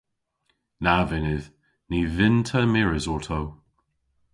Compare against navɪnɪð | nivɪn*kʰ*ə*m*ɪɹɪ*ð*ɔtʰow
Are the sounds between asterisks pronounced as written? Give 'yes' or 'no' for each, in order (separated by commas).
no, yes, no